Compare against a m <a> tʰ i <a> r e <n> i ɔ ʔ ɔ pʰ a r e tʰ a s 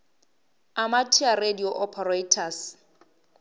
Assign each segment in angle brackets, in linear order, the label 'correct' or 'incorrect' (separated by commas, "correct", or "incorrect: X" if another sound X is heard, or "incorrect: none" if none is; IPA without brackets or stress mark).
correct, correct, incorrect: d